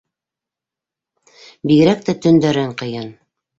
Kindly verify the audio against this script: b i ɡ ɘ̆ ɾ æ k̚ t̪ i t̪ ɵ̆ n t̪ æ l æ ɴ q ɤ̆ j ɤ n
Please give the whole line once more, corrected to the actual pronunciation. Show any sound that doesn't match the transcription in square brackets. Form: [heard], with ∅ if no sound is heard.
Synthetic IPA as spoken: b i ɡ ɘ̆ ɾ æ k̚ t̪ [æ] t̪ ɵ̆ n [d̪] æ [ɾ] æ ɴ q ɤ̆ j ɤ n